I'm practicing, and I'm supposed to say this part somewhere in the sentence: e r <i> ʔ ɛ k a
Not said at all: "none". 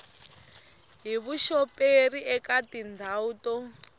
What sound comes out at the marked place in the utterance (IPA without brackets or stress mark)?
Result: i